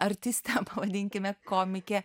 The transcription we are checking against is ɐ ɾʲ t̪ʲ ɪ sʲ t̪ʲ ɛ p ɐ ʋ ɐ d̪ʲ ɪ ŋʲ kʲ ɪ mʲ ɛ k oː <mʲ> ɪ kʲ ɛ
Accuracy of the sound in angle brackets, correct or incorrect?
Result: correct